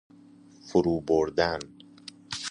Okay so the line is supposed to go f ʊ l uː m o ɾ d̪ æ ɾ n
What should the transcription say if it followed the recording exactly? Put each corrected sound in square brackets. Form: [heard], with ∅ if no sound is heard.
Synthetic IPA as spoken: f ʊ [ɾ] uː [b] o ɾ d̪ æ [∅] n